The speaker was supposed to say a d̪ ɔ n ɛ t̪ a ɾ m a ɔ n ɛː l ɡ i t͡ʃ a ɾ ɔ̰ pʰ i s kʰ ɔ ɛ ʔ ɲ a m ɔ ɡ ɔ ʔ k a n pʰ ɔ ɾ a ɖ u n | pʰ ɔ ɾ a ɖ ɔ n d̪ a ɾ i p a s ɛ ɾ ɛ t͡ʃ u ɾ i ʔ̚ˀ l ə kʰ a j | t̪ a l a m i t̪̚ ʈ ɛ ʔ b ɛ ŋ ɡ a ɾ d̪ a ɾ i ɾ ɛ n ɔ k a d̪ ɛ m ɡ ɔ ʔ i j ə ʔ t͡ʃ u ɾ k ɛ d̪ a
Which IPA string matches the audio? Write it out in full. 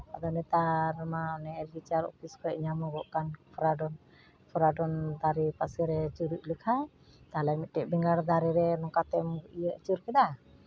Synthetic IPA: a d̪ ɔ n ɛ t̪ a ɾ m a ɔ n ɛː l ɡ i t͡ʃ a ɾ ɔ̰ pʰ i s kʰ ɔ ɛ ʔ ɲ a m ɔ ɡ ɔ ʔ k a n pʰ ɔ ɾ a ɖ ɔ n | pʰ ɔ ɾ a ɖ ɔ n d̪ a ɾ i p a s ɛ ɾ ɛ t͡ʃ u ɾ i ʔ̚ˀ l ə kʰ a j | t̪ a l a m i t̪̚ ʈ ɛ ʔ b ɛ ŋ ɡ a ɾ d̪ a ɾ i ɾ ɛ n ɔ k a t̪ ɛ m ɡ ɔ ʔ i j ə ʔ t͡ʃ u ɾ k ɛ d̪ a